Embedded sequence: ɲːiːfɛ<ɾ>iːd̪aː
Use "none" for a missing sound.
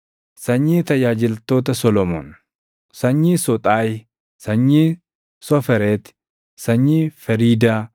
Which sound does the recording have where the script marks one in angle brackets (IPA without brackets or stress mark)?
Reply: ɾ